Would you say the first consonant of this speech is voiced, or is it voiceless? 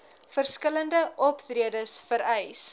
voiceless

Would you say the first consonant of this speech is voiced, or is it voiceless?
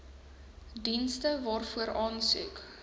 voiced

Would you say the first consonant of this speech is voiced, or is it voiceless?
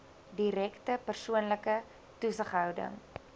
voiced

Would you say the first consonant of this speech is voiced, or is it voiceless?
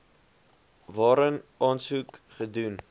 voiced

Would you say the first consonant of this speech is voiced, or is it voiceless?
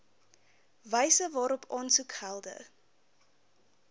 voiced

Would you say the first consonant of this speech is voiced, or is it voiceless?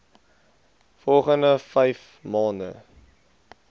voiceless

